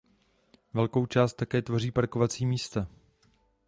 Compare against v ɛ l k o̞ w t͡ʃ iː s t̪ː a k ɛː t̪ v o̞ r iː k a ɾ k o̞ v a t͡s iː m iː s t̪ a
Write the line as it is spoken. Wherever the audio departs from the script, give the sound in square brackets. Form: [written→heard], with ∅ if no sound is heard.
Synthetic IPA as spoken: v ɛ l k o̞ w t͡ʃ [iː→aː] s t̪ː a k ɛː t̪ v o̞ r iː [k→p] a ɾ k o̞ v a t͡s iː m iː s t̪ a

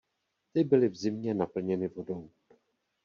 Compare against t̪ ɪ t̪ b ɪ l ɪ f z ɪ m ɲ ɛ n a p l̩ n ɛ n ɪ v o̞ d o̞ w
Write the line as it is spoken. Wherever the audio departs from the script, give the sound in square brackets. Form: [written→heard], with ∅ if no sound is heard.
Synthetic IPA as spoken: t̪ ɪ [t̪→∅] b ɪ l ɪ [f→v] z ɪ m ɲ ɛ n a p l̩ [n→ɲ] ɛ n ɪ v o̞ d o̞ w

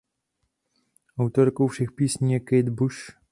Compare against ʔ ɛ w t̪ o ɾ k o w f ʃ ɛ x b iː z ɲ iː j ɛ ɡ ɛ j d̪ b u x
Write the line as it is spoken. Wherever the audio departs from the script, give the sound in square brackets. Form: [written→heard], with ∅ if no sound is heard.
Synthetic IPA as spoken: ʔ [ɛ→a] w t̪ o ɾ k o w f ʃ ɛ x [b→p] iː [z→s] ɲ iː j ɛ [ɡ→k] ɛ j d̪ b u [x→ʃ]

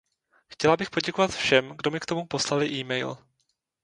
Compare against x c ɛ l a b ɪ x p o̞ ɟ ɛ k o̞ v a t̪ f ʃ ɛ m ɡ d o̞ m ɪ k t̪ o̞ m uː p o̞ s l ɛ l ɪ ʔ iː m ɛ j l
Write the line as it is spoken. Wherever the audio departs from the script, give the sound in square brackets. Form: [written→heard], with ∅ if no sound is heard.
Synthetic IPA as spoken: x c ɛ l a b ɪ x p o̞ ɟ ɛ k o̞ v a t̪ f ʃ ɛ m ɡ d o̞ m ɪ k t̪ o̞ m [uː→u] p o̞ s l [ɛ→a] l ɪ ʔ iː m ɛ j l

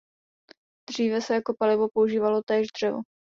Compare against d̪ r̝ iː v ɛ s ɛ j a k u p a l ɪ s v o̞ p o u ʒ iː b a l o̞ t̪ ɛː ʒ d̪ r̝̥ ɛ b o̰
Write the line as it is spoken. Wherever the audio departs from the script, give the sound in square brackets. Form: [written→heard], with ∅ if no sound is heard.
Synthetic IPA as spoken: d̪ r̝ iː v ɛ s ɛ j a k [u→o] p a l ɪ [s→∅] v o̞ p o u ʒ iː [b→v] a l o̞ t̪ ɛː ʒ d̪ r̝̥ ɛ [b→v] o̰

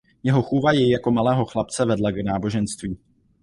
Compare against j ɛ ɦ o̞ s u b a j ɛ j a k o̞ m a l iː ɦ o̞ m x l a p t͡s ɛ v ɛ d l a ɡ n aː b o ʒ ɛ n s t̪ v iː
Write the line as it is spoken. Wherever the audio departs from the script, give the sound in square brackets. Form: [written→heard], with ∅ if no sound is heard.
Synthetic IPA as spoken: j ɛ ɦ o̞ [s→x] u [b→v] a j ɛ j a k o̞ m a l [iː→ɛː] ɦ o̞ [m→∅] x l a p t͡s ɛ v ɛ d l a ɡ n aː b o ʒ ɛ n s t̪ v iː

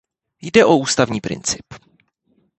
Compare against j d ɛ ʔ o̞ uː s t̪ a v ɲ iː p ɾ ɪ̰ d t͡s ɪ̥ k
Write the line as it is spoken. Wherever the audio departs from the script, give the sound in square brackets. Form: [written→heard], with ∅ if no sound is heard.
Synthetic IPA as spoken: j d ɛ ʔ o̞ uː s t̪ a v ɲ iː p ɾ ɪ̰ [d→n] t͡s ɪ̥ [k→p]

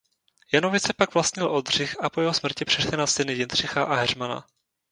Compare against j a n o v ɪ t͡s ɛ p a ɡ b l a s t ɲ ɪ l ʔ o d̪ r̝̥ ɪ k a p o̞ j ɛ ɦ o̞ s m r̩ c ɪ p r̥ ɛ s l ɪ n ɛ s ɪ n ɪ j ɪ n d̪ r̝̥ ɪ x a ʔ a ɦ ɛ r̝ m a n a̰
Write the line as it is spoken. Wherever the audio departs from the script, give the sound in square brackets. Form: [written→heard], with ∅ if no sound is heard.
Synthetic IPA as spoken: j a n o v ɪ t͡s ɛ p a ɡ [b→v] l a s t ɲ ɪ l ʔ o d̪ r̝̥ ɪ [k→x] a p o̞ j ɛ ɦ o̞ s m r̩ c ɪ p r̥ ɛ [s→ʃ] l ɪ n [ɛ→a] s ɪ n ɪ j ɪ n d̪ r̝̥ ɪ x a ʔ a ɦ ɛ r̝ m a n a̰

